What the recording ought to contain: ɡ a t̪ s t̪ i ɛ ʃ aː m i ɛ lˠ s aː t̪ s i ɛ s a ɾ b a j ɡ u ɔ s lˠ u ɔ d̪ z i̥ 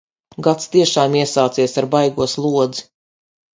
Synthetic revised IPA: ɡ a t̪ s t̪ i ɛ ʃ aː m i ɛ s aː t̪ s i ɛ s a ɾ b a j ɡ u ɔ s lˠ u ɔ d̪ z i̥